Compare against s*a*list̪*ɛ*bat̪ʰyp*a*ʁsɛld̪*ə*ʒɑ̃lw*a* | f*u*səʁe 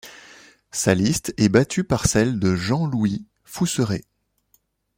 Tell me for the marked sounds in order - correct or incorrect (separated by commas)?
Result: correct, correct, correct, correct, incorrect, correct